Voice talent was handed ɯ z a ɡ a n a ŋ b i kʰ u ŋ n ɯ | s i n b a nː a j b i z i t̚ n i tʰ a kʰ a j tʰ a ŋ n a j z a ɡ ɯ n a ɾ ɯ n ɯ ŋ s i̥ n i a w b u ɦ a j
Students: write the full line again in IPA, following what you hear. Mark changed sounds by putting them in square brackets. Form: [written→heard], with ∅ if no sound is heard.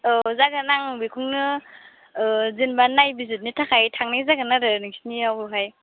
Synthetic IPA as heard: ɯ z a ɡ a n a ŋ b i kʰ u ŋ n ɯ | [s→z] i n b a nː a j b i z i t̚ n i tʰ a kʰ a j tʰ a ŋ n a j z a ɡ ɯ n a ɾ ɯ n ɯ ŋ s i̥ n i a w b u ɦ a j